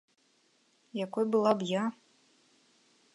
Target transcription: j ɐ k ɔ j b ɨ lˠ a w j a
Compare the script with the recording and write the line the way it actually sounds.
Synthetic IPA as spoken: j a k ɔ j b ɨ lˠ a b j a